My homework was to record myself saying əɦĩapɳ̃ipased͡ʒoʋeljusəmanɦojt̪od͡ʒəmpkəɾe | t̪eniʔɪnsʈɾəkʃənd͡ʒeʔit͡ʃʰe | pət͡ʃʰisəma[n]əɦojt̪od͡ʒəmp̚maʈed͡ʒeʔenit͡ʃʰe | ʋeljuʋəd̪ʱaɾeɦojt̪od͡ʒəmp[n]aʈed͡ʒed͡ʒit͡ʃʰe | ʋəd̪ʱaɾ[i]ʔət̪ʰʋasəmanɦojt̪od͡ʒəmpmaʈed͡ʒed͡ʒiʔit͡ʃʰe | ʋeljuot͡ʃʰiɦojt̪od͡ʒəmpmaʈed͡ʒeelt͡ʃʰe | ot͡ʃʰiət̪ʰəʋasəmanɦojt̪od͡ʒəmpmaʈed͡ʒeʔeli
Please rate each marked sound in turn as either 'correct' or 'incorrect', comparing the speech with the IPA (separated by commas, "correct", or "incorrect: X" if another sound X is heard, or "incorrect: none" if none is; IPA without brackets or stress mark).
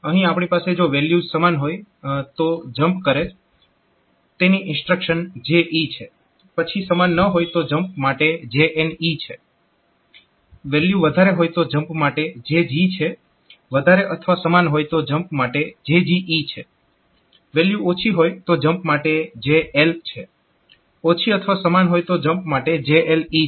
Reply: incorrect: nː, incorrect: m, incorrect: e